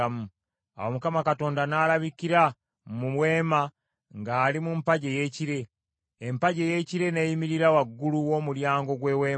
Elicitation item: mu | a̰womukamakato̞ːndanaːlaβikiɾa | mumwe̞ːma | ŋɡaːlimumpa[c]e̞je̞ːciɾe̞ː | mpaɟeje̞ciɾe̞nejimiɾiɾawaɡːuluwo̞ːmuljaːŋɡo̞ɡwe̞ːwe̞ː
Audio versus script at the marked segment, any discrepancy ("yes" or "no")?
yes